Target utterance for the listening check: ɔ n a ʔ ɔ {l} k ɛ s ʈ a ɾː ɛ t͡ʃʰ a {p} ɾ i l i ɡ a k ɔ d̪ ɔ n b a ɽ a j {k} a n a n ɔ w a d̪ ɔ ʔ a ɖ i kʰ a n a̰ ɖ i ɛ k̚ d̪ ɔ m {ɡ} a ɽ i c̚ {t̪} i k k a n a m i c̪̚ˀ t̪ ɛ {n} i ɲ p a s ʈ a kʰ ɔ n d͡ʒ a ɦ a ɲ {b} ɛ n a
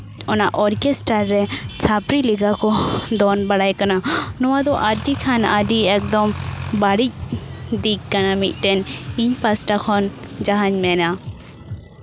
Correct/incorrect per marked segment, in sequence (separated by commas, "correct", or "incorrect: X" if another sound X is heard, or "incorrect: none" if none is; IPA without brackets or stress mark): incorrect: ɾ, correct, correct, incorrect: b, incorrect: d̪, correct, incorrect: m